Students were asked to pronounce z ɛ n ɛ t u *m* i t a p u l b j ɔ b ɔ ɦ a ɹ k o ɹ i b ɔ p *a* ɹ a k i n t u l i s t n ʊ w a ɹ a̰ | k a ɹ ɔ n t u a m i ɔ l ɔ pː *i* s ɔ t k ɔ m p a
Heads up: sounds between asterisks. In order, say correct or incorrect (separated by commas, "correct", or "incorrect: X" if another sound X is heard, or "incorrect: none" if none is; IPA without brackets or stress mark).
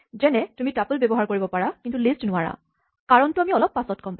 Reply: correct, correct, incorrect: a